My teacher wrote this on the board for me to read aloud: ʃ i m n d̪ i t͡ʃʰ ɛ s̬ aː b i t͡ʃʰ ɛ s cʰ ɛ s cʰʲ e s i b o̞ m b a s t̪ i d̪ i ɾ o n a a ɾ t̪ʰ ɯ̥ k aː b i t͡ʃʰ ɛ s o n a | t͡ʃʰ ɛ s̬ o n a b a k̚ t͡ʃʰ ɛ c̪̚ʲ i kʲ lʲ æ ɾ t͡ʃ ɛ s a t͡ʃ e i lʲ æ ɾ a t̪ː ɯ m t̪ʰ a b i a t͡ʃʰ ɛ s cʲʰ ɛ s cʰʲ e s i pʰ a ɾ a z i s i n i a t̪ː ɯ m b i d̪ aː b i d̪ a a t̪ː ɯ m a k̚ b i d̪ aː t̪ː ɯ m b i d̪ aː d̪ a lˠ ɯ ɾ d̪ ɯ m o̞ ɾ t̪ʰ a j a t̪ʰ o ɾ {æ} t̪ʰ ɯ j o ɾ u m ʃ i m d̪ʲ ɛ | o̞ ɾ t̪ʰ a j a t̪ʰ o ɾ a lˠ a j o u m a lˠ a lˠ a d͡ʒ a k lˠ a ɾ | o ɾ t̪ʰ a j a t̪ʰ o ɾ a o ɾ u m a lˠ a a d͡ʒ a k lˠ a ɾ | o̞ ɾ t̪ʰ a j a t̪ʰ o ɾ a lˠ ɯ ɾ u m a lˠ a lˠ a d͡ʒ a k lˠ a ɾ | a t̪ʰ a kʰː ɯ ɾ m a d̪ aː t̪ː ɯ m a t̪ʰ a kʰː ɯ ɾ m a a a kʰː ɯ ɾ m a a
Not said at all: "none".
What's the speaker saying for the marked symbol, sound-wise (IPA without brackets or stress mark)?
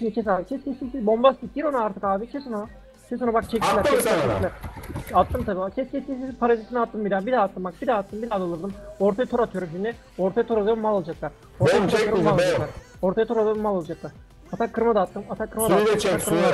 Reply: a